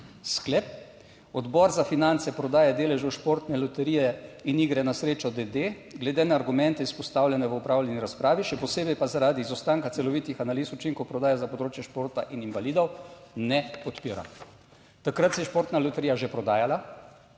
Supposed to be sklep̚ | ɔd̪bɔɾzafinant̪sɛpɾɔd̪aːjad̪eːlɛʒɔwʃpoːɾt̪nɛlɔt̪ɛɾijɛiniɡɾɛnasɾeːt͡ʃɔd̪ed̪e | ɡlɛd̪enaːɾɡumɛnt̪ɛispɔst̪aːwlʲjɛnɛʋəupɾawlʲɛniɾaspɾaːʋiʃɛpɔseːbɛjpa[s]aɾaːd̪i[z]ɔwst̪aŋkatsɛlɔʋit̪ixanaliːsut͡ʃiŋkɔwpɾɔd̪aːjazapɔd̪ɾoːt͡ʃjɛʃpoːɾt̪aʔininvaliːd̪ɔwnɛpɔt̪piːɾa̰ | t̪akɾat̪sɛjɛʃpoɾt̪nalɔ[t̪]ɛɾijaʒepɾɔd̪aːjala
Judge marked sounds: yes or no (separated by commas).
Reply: no, yes, yes